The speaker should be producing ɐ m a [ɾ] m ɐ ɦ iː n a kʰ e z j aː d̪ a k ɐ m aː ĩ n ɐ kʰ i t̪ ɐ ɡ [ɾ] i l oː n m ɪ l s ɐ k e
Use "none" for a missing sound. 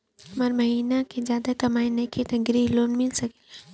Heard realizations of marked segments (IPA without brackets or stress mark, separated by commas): ɾ, ɾ